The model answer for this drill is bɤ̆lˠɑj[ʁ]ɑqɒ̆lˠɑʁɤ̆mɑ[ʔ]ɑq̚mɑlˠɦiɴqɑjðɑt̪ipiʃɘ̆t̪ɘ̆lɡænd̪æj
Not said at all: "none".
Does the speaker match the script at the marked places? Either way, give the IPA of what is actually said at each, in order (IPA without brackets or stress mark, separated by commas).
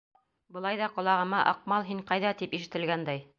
ð, ʔ